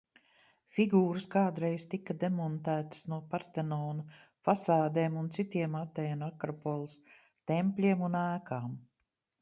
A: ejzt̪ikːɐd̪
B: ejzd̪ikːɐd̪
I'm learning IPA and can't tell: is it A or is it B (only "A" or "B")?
A